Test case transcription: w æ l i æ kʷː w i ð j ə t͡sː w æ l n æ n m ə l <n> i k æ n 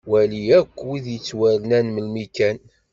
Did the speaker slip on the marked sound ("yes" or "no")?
yes